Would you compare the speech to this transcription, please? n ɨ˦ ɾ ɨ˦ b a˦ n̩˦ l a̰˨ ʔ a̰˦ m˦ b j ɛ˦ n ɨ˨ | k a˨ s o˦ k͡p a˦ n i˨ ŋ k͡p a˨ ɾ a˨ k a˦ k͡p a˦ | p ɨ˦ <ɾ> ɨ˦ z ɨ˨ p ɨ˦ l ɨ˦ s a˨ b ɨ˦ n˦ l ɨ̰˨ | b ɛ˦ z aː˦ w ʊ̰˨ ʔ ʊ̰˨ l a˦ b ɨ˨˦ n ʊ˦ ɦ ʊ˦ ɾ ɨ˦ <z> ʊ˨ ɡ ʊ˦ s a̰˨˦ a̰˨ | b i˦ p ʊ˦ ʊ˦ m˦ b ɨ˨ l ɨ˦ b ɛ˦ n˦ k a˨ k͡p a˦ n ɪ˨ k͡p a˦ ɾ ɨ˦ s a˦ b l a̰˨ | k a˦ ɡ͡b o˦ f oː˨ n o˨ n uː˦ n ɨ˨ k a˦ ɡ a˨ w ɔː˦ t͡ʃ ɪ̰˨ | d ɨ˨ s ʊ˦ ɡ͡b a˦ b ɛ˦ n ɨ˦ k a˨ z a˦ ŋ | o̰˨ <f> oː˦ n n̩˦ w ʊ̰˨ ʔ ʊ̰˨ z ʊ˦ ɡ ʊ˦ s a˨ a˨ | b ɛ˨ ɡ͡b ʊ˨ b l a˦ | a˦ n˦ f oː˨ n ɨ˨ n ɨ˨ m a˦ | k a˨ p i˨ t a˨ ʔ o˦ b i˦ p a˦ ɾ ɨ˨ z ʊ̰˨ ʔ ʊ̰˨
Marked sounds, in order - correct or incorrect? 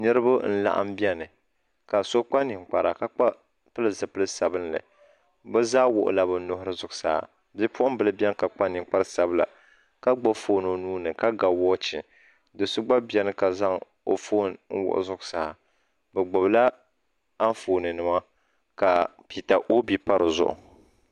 incorrect: l, correct, correct

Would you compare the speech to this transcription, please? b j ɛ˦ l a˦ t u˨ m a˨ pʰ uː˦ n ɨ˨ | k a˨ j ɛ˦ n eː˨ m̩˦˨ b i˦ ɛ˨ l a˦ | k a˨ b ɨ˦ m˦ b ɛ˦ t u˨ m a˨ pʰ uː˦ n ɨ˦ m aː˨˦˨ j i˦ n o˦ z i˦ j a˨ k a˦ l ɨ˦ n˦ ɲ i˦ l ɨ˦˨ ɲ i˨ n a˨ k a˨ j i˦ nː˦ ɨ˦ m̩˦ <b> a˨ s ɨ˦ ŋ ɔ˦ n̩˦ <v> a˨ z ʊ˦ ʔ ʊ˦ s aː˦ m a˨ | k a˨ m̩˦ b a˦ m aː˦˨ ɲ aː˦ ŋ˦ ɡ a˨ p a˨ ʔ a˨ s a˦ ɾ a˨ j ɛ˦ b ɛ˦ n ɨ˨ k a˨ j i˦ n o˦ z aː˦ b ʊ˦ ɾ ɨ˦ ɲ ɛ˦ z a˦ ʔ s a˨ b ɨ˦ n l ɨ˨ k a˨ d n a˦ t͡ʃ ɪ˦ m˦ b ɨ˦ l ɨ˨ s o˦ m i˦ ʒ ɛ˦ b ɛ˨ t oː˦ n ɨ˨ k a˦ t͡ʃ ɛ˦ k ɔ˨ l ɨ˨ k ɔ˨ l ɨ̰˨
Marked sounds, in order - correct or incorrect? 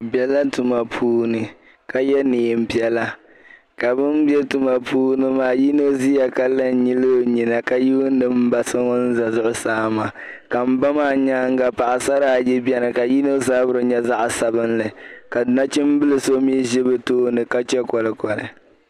correct, incorrect: z

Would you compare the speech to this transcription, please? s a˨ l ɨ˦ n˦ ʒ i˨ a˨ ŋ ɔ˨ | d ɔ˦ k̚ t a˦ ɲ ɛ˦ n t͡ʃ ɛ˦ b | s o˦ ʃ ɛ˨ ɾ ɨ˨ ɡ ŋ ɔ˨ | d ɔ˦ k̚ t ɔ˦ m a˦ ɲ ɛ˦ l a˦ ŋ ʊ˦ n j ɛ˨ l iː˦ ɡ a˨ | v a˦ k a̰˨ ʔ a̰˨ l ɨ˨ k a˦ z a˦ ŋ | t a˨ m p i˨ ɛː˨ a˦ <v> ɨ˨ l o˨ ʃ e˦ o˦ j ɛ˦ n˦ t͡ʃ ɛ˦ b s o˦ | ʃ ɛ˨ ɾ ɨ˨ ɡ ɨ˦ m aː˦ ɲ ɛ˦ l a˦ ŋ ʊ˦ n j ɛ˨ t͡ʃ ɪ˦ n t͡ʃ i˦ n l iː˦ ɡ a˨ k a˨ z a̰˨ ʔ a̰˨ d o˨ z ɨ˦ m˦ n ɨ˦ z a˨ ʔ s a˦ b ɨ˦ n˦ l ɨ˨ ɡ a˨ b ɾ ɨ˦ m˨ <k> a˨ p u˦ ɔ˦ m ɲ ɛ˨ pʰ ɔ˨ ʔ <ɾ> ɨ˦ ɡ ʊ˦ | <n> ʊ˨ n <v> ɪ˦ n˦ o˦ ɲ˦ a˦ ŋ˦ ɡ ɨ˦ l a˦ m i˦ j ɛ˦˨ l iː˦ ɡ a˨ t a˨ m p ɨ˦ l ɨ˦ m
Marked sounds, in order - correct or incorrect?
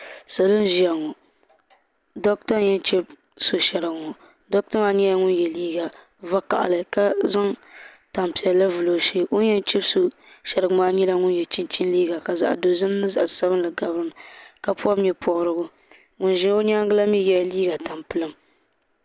correct, correct, correct, incorrect: ŋ, incorrect: ʒ

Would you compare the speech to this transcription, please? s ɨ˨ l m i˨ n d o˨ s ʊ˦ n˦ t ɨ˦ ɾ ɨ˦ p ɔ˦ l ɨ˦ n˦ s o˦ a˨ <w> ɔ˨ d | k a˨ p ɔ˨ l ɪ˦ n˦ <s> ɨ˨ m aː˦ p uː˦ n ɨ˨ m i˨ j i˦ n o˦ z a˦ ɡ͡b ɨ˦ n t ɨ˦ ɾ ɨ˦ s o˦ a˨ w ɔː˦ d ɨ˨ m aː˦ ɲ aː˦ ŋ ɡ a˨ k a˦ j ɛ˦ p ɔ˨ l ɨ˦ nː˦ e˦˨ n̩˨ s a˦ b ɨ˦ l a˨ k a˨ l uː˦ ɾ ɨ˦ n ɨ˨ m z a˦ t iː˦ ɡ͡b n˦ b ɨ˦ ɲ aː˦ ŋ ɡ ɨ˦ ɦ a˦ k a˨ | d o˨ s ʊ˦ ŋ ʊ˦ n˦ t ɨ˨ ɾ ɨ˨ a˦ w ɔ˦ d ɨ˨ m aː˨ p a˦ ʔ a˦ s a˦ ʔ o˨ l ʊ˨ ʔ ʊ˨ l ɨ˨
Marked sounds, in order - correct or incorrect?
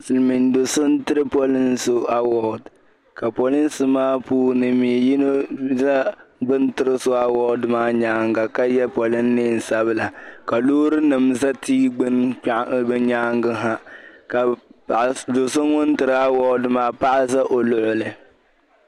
correct, correct

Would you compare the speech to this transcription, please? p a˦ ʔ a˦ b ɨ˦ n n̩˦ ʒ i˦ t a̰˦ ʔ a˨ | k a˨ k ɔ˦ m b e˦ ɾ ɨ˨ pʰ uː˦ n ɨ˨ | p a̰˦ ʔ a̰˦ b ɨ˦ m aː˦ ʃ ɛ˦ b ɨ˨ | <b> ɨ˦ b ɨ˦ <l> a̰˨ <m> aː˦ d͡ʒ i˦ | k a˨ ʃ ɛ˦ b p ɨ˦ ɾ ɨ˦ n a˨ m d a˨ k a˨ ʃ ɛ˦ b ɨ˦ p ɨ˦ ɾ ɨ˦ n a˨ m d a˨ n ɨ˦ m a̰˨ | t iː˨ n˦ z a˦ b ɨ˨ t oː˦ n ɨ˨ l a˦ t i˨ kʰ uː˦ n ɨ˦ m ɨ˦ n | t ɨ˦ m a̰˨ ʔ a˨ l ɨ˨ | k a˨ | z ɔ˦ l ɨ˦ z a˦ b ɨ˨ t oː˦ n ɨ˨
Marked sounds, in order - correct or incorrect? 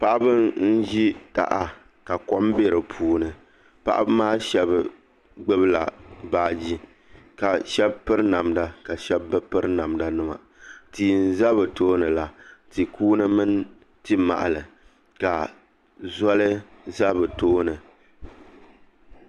incorrect: ɡ͡b, correct, incorrect: b

